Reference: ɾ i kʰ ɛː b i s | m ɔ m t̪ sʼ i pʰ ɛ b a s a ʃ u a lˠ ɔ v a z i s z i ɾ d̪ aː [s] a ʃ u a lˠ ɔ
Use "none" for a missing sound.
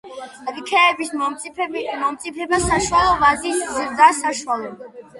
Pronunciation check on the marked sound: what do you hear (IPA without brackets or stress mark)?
s